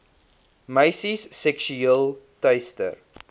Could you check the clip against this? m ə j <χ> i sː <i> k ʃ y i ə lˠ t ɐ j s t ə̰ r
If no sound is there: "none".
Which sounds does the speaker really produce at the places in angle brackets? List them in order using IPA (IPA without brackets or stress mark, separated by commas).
s, ɛ